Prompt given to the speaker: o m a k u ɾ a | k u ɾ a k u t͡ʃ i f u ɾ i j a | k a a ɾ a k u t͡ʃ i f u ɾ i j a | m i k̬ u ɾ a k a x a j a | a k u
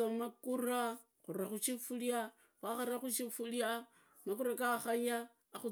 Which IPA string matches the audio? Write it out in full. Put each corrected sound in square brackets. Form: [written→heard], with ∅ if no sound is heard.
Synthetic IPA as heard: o m a k u ɾ a | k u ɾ a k u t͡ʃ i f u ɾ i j a | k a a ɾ a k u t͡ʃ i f u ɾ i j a | m [i→a] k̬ u ɾ a k a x a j a | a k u